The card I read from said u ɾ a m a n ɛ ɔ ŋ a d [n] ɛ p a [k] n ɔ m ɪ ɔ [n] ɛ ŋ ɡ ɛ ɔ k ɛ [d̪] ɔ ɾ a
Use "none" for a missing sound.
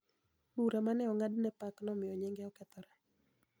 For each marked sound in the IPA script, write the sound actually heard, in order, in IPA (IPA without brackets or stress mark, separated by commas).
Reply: n, k, ɲ, t̪